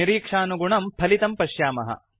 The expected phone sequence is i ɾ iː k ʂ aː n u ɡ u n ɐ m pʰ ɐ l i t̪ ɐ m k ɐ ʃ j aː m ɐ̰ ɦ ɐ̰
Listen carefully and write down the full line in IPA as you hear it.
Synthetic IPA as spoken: i ɾ iː k ʂ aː n u ɡ u ɳ ɐ m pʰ ɐ l i t̪ ɐ m p ɐ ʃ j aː m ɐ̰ ɦ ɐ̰